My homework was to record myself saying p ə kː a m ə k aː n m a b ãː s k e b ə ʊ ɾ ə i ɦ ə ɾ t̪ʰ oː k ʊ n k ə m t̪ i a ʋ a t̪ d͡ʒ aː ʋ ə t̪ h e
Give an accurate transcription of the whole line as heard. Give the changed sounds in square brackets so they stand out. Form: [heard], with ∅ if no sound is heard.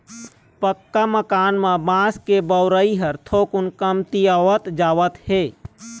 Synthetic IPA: p ə kː a m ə k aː n m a b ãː s k e b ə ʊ ɾ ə i ɦ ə ɾ t̪ʰ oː k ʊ n k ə m t̪ i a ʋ [ə] t̪ d͡ʒ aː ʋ ə t̪ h e